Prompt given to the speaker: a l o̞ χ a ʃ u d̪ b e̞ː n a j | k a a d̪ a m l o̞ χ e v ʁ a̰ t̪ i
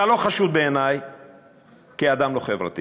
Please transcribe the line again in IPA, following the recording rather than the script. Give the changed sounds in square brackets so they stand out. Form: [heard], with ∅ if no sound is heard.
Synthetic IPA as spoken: a l o̞ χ a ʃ u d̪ b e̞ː n a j | k [i] a d̪ a m l o̞ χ e v ʁ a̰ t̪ i

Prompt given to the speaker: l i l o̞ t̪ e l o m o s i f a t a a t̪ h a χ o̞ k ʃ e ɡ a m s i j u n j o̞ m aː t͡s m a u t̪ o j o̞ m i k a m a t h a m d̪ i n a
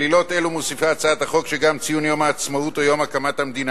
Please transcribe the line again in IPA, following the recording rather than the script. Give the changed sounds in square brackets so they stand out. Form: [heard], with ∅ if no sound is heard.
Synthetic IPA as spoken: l i l o̞ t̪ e l [u] m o s i f a [t͡s] a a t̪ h a χ o̞ k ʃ e ɡ a m [t͡s] i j u n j o̞ m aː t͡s m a u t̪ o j o̞ m [a] k a m a t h a m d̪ i n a

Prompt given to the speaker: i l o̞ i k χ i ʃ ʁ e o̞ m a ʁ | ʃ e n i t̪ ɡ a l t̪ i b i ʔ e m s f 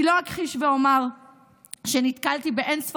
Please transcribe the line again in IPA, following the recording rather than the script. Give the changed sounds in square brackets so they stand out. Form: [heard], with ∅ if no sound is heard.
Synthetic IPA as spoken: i l o̞ [a] k χ i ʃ [v] e o̞ m a ʁ | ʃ e n i t̪ [k] a l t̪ i b [e] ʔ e [n] s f

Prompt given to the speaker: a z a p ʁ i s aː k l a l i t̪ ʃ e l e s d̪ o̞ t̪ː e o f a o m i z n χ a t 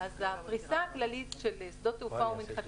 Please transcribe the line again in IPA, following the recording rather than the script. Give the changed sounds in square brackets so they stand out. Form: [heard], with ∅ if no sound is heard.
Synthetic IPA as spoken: a z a p ʁ i s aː k l a l i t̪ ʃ e l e s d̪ o̞ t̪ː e [u] f a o m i [∅] n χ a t

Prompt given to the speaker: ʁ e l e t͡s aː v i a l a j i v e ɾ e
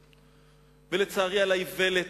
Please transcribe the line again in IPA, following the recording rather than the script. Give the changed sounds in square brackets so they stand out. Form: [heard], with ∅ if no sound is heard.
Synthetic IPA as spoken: [v] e l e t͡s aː [ʁ] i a l a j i v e [l] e

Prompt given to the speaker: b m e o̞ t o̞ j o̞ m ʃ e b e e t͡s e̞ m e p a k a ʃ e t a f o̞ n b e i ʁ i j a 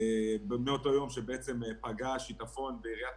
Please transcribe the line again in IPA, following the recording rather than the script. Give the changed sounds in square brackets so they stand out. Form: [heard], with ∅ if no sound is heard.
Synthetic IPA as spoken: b m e o̞ t o̞ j o̞ m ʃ e b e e t͡s e̞ m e p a [ɡ] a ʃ [i] t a f o̞ n b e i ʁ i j a

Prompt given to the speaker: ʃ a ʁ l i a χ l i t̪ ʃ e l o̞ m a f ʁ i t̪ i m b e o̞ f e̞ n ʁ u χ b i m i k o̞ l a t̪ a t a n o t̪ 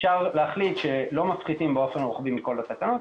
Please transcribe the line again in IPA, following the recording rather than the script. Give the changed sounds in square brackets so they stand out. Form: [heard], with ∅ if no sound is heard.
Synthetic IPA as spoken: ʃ a ʁ l [e] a χ l i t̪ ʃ e l o̞ m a f [χ] i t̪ i m b e o̞ f e̞ n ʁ u χ b i m i k o̞ l a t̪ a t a n o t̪

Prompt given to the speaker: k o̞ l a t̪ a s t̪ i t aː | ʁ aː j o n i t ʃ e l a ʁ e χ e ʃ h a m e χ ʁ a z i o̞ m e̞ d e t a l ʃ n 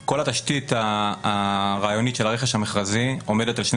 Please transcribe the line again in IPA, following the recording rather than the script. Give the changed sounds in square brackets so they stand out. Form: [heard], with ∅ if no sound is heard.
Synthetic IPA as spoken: k o̞ l a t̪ a [ʃ] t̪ i t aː | ʁ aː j o n i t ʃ e l a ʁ e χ e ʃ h a m e χ ʁ a z i o̞ m e̞ d e t a l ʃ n

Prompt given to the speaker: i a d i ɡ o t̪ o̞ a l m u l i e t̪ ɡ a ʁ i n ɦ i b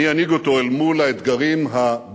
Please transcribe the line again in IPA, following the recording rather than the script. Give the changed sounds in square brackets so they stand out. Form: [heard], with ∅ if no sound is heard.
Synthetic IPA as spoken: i a [n] i ɡ o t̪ o̞ [e] l m u l [a] e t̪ ɡ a ʁ i [m] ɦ [a] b

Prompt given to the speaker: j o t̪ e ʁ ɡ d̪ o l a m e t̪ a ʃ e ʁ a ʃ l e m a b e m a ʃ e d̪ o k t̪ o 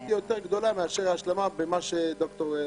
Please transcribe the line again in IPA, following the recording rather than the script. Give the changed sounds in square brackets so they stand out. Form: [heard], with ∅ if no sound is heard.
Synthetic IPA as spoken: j o t̪ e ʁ ɡ d̪ o l a m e [∅] a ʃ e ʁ a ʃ l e m a b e m a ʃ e d̪ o k t̪ o

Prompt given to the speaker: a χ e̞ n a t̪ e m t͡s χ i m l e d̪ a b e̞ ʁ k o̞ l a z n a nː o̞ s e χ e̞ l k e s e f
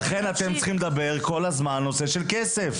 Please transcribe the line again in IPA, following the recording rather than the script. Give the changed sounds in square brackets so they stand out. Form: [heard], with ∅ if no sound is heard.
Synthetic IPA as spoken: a χ e̞ n a t̪ e m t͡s χ i m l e d̪ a b e̞ ʁ k o̞ l a z [m] a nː o̞ s e [ʃ] e̞ l k e s e f

